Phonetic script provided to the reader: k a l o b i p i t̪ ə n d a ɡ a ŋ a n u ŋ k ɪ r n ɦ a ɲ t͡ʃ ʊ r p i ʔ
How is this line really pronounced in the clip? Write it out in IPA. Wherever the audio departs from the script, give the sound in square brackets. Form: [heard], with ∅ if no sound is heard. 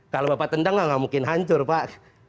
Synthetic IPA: k a l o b [a] p [a] t̪ ə n d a [ŋ] a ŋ a [m] u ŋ k ɪ [∅] n ɦ a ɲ t͡ʃ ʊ r p [a] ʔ